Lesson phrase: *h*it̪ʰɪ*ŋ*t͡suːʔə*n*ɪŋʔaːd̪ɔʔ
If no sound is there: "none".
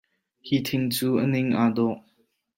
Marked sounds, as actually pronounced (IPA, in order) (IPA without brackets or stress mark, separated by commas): h, ŋ, n